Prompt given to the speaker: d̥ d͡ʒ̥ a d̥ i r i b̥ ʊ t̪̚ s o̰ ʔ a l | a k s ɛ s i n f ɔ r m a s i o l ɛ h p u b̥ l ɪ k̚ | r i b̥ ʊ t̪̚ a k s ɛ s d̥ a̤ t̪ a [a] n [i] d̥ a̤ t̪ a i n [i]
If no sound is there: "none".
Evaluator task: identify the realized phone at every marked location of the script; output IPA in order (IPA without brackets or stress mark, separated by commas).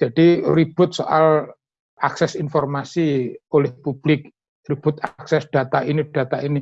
i, i, i